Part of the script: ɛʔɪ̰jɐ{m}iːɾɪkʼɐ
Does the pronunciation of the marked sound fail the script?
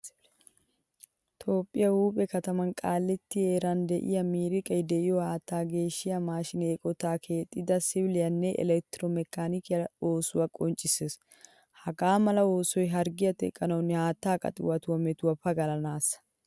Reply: no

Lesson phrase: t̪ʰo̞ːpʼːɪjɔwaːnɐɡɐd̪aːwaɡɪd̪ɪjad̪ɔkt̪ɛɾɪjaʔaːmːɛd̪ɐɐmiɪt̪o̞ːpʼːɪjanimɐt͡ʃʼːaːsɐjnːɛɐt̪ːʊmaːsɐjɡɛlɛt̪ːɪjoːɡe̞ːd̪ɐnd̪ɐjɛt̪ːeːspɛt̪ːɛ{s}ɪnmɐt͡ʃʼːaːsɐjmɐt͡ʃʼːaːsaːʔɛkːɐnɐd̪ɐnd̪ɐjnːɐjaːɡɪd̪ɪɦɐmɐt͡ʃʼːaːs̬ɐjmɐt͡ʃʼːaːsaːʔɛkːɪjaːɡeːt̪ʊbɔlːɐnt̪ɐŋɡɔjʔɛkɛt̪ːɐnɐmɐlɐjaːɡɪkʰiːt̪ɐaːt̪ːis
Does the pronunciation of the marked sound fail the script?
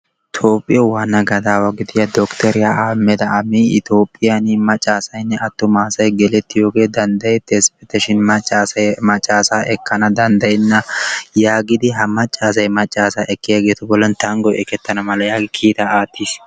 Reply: yes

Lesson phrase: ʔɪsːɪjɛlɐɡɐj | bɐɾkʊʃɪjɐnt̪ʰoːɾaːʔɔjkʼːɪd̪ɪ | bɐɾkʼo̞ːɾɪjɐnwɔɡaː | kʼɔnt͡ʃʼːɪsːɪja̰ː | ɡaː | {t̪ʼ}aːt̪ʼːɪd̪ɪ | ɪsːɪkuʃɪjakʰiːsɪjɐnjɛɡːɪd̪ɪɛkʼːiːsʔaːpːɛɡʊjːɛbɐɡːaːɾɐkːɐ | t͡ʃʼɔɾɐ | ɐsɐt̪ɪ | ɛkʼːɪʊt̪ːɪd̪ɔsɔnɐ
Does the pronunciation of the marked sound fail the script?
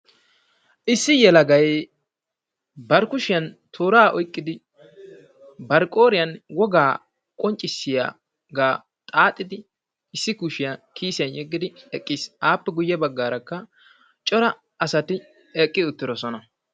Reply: no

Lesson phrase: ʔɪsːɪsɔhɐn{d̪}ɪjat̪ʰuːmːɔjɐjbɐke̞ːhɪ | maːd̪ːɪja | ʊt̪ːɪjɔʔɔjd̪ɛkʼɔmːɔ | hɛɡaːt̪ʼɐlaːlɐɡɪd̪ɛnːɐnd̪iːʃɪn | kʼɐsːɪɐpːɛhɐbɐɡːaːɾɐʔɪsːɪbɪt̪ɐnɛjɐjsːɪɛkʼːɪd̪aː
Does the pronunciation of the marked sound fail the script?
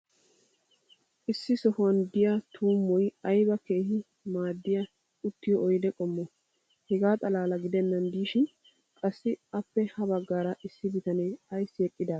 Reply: no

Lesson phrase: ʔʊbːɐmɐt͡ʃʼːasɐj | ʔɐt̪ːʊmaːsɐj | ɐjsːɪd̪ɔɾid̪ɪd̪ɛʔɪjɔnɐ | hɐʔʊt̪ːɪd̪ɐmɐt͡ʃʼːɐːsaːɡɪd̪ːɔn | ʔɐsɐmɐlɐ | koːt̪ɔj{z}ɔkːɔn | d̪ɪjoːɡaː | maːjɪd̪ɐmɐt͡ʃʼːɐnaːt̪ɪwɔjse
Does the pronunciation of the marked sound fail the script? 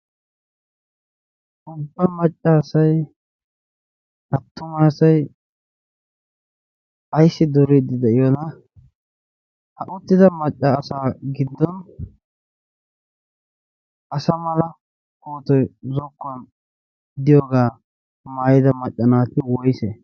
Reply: no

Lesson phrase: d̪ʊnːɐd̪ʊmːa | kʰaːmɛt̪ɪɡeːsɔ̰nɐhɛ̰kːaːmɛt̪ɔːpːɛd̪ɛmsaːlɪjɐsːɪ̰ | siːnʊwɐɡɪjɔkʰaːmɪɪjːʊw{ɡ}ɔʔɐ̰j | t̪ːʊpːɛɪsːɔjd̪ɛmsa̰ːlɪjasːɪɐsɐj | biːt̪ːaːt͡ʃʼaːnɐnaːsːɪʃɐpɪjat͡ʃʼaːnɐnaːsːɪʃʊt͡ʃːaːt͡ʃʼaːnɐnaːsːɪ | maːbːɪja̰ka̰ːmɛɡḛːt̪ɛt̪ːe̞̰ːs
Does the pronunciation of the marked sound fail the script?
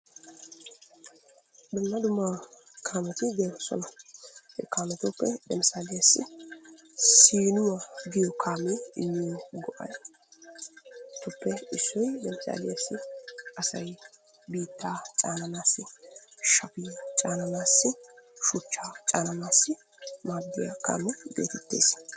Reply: no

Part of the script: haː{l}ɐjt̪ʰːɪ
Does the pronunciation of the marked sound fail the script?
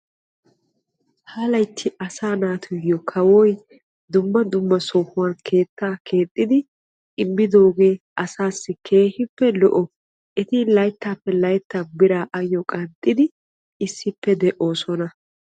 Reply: no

